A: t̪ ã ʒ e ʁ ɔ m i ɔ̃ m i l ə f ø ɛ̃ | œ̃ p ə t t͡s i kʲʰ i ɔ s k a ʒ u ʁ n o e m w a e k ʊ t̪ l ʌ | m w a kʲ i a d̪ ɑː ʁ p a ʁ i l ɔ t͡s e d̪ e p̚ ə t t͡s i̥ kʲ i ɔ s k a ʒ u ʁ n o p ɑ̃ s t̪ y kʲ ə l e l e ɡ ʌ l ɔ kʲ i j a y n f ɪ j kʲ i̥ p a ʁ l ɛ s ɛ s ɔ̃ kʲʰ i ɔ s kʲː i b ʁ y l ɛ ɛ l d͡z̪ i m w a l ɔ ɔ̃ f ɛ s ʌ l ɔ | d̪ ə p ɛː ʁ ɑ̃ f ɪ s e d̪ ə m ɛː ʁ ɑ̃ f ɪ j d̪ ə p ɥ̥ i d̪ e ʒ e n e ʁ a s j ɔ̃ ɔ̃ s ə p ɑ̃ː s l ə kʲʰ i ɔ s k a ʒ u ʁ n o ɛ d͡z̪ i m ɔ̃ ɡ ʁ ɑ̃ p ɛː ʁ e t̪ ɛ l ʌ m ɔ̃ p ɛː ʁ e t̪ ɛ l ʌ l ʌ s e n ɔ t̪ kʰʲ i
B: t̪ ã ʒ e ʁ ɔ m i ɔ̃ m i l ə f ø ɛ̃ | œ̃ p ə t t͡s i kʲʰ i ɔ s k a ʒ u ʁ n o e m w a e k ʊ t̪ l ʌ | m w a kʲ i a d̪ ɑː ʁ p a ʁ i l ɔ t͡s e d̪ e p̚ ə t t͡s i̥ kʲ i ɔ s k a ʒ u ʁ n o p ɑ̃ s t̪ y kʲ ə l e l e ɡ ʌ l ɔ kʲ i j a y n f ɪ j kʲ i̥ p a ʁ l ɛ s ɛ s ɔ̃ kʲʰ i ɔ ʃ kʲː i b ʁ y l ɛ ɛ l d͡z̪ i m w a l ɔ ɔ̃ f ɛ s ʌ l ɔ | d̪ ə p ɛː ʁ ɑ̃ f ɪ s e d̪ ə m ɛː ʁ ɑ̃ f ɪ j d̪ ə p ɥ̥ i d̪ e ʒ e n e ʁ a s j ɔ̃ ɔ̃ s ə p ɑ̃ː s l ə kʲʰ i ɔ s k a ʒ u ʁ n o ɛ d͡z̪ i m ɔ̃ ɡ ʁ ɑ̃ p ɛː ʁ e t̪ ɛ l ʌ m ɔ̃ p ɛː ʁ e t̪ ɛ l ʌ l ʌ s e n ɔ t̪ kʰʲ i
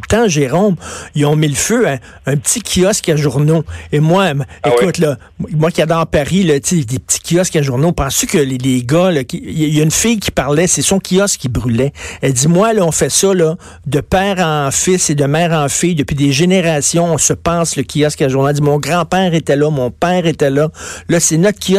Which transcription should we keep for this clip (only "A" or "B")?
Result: A